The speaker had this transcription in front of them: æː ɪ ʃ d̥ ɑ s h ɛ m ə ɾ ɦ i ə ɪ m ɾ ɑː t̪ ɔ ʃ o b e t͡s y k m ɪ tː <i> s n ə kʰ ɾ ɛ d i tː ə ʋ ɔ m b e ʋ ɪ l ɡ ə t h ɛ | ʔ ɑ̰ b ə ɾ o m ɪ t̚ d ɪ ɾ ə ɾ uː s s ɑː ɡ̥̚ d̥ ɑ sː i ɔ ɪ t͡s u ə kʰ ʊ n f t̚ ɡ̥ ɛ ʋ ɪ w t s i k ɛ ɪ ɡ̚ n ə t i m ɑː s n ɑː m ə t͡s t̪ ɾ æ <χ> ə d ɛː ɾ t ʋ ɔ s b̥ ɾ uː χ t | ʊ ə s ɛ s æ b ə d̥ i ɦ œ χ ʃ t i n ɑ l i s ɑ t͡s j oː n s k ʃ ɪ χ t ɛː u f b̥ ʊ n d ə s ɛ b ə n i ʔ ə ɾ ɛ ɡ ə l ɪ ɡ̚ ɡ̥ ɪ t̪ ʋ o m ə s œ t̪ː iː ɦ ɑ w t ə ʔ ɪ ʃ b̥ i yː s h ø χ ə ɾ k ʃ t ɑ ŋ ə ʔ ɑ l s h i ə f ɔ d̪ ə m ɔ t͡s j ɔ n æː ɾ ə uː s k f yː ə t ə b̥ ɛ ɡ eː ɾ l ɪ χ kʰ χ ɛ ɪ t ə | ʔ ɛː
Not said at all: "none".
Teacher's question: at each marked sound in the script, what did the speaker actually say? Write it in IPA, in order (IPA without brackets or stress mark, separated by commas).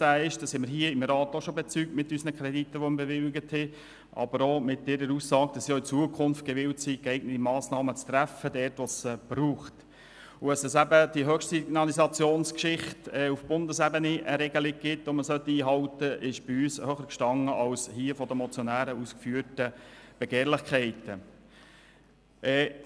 y, f